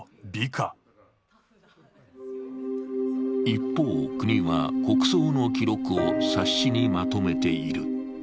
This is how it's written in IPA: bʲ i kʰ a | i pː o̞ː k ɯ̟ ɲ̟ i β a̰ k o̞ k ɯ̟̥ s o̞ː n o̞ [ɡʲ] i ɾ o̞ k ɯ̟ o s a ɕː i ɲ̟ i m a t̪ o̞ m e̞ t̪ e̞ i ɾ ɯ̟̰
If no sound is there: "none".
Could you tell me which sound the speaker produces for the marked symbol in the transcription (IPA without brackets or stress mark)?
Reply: kʲ